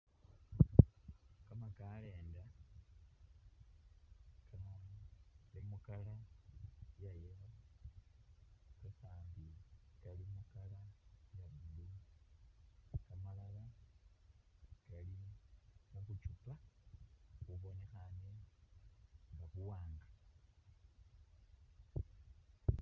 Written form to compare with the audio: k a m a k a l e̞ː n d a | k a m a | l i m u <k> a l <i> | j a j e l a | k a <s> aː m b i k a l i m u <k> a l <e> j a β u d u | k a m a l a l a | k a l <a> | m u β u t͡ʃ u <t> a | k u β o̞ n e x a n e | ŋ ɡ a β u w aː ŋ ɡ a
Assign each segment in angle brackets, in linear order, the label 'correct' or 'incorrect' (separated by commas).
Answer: correct, incorrect, correct, correct, incorrect, incorrect, incorrect